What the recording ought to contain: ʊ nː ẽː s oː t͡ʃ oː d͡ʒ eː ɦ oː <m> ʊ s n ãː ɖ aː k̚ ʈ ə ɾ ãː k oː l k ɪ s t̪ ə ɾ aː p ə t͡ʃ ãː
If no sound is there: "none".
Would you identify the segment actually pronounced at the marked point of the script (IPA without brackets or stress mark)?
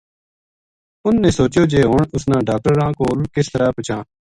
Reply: ɳ